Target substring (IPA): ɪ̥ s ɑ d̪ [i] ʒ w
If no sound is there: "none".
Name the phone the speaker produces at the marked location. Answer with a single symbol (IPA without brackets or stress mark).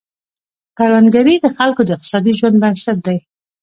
i